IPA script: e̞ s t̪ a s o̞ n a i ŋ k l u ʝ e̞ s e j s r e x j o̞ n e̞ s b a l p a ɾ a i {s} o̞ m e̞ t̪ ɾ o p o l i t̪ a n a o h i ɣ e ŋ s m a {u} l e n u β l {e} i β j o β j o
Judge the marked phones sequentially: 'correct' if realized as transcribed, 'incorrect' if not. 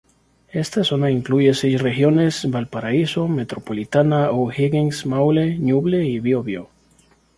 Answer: correct, incorrect: w, correct

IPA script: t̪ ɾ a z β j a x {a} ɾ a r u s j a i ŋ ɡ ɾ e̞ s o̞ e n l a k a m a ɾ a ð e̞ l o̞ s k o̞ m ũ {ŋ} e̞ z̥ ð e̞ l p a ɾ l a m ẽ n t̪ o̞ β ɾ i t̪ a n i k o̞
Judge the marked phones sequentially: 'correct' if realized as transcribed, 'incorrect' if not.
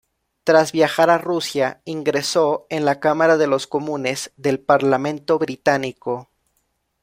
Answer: correct, incorrect: n

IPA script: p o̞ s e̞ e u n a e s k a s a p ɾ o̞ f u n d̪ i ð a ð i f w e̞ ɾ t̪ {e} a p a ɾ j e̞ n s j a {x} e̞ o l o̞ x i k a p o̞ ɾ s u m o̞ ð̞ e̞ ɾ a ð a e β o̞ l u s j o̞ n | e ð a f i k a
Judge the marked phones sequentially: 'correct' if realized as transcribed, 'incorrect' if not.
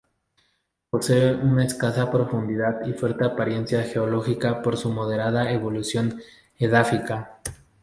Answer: correct, correct

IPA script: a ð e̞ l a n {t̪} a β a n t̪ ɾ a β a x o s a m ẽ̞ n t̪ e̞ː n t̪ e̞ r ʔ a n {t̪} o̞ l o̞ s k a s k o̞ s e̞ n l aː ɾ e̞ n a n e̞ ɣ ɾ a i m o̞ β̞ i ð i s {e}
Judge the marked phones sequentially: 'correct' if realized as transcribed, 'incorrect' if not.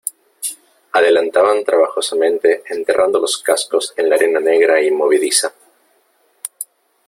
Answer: correct, incorrect: d̪, incorrect: a

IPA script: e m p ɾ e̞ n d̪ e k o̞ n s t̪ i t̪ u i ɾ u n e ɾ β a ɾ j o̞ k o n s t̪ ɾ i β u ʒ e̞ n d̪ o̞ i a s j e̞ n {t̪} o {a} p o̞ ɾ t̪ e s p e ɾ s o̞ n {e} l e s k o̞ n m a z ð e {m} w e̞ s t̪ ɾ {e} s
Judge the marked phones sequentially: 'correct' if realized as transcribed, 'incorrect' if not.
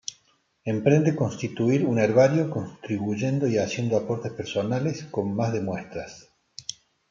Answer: incorrect: d̪, correct, incorrect: a, correct, incorrect: a

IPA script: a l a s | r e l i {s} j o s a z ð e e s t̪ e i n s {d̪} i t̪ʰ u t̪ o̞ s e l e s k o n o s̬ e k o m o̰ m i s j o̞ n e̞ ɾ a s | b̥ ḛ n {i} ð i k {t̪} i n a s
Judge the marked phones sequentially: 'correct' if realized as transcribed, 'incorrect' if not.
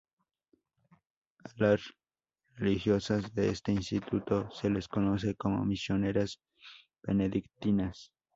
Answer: incorrect: x, incorrect: t̪, incorrect: e, correct

